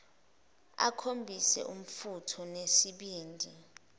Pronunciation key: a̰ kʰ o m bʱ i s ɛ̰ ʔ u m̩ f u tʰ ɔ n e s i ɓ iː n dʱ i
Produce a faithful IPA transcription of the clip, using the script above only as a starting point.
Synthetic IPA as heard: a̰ kʰ o m bʱ i s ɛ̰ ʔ u m̩ f u tʰ ɔ n e s i ɓ iː n dʱ i